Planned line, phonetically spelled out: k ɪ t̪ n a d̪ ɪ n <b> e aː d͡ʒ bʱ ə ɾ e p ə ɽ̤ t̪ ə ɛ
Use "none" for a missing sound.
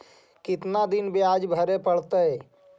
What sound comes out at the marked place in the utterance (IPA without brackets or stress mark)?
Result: b